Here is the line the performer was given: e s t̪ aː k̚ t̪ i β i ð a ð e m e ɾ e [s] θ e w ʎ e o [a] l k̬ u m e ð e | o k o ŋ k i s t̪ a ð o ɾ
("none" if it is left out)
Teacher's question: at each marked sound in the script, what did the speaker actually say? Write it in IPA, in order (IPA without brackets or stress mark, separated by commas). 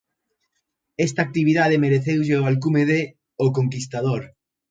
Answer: none, a